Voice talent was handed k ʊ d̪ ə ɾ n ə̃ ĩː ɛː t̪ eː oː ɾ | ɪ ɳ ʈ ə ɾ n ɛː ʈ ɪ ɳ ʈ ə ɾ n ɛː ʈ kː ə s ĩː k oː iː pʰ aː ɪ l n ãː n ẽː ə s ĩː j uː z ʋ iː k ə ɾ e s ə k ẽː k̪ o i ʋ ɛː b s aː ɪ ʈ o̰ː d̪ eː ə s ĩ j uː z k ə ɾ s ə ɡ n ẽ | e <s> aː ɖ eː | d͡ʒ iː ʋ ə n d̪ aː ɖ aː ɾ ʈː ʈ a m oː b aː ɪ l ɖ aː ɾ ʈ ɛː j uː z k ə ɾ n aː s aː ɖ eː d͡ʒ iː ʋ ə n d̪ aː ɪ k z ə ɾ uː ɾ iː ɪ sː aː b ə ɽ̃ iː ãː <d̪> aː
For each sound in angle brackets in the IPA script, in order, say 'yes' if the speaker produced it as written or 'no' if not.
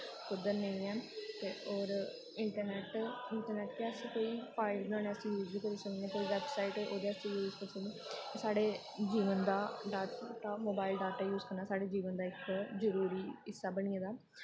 yes, yes

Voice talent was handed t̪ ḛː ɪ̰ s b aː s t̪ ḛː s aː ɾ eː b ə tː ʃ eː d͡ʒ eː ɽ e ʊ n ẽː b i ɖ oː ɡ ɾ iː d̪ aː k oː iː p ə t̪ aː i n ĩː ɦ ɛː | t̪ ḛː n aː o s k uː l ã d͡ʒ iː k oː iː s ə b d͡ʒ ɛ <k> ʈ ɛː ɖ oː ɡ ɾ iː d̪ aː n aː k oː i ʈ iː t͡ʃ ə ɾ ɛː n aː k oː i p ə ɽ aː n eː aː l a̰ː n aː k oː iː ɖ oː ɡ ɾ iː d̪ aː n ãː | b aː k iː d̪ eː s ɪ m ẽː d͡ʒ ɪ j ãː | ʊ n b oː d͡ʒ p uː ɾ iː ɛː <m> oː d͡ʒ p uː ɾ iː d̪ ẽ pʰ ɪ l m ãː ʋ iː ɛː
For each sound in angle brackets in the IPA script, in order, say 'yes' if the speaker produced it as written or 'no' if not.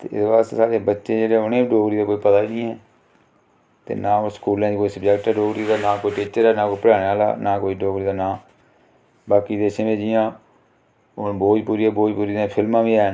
yes, no

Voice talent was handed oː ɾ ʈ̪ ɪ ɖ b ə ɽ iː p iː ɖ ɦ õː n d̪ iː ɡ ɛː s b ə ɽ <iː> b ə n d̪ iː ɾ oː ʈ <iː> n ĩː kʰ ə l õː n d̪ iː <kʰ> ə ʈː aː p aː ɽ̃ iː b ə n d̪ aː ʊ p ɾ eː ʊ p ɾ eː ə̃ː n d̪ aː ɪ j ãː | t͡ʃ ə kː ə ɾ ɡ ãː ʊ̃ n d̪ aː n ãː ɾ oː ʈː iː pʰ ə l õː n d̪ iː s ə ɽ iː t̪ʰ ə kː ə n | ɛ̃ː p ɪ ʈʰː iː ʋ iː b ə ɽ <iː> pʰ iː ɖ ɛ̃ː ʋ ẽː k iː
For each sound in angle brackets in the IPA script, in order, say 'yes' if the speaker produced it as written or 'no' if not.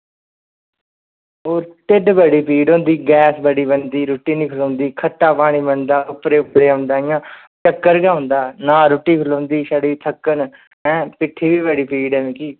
yes, yes, yes, yes

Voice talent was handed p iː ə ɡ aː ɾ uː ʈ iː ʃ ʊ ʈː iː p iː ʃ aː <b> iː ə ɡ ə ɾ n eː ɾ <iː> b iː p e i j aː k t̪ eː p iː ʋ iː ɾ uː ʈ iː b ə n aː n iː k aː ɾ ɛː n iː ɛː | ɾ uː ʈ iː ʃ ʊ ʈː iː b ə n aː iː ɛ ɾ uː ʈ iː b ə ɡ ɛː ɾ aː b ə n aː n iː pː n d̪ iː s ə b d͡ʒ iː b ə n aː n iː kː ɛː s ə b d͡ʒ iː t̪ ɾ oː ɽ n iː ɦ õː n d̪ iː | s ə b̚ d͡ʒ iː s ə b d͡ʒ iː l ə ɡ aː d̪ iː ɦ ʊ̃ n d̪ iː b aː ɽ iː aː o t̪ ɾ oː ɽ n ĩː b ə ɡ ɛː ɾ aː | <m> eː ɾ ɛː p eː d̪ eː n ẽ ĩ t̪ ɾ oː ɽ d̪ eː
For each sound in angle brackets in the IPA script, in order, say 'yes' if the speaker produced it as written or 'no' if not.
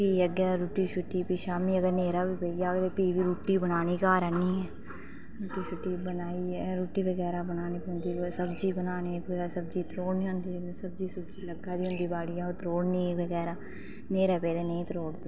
no, no, no

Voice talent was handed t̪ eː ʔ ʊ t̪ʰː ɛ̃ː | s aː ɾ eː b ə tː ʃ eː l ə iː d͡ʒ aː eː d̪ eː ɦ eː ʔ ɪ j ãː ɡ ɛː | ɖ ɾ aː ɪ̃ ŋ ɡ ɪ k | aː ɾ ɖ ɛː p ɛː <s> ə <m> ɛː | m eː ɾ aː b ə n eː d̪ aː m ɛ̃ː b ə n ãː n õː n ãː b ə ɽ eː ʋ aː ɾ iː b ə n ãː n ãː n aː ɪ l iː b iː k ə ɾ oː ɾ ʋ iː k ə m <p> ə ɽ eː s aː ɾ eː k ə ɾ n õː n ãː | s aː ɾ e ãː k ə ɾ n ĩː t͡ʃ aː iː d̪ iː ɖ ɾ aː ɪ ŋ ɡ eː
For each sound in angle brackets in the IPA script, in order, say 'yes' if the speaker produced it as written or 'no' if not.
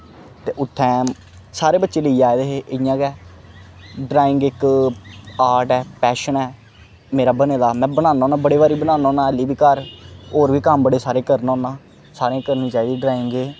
no, no, no

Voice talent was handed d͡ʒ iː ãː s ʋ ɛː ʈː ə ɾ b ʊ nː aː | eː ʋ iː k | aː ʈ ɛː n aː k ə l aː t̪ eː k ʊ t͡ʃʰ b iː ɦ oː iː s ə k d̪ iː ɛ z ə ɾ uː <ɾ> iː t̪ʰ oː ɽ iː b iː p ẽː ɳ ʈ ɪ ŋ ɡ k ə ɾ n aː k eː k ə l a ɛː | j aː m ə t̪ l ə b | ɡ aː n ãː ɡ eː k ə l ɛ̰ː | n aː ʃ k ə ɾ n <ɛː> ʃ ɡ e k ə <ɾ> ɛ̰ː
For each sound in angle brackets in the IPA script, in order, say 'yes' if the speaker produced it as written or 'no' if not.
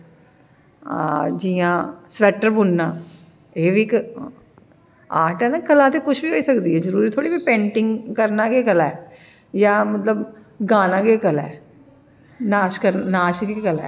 yes, no, no

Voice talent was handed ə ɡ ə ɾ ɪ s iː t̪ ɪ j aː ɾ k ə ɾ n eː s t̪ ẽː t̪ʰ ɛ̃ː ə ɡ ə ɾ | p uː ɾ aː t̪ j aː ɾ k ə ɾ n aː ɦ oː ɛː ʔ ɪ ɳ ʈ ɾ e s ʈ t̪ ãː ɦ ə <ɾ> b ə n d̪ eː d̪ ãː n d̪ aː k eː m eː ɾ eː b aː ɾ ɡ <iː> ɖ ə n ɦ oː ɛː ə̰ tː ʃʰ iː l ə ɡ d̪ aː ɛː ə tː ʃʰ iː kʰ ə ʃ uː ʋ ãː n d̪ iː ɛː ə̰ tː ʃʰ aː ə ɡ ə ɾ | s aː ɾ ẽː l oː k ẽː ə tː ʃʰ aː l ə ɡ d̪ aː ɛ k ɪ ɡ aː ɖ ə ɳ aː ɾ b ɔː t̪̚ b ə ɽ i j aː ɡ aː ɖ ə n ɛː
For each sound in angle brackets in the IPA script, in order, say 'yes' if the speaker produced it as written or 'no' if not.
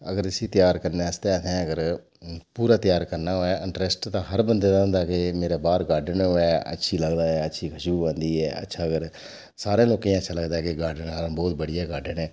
yes, no

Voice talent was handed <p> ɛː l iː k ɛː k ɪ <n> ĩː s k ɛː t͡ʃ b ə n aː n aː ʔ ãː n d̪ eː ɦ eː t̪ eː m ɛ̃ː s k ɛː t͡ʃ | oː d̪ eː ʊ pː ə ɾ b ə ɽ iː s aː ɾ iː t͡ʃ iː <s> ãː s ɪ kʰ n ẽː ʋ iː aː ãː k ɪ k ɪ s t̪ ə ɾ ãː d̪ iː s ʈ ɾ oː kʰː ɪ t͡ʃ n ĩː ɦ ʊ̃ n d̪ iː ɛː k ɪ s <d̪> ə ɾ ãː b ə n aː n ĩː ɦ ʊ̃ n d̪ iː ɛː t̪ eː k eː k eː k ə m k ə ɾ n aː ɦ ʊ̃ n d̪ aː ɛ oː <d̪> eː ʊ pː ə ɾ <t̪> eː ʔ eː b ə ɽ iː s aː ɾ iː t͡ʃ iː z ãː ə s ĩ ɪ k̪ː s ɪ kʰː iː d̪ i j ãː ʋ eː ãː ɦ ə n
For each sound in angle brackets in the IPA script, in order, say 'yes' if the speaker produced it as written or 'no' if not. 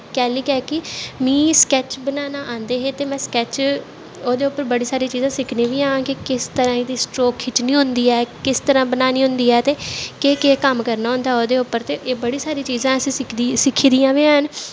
no, no, no, no, yes, yes

